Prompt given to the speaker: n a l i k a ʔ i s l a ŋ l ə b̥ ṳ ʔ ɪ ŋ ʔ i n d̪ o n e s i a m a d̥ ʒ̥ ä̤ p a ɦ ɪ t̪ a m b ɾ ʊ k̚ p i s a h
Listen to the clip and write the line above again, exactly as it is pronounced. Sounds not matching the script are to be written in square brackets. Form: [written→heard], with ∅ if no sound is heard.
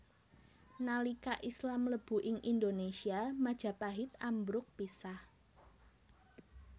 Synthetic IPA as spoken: n a l i k a ʔ i s l a [ŋ→m] l ə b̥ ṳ ʔ ɪ ŋ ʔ i n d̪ o n e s i a m a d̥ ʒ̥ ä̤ p a ɦ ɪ t̪ a m b ɾ ʊ k̚ p i s a h